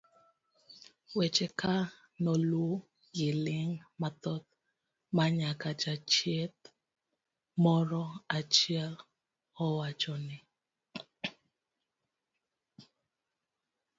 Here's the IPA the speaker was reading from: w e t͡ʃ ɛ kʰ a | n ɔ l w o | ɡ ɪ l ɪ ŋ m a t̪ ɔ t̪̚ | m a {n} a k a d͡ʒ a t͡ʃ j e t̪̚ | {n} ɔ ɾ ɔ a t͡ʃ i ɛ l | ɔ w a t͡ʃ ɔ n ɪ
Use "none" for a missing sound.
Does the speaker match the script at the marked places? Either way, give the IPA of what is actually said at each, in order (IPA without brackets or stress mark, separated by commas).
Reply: ɲ, m